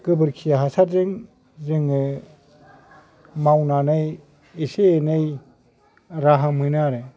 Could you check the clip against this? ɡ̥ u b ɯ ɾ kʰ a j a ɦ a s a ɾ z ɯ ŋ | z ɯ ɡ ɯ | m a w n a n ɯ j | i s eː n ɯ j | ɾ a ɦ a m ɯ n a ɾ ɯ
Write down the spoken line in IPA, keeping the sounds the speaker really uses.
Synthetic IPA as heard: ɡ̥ ɯ b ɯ ɾ kʰ i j a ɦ a s a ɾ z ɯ ŋ | z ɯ ŋ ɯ | m a w n a n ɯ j | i s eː n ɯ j | ɾ a ɦ a m ɯ n a ɾ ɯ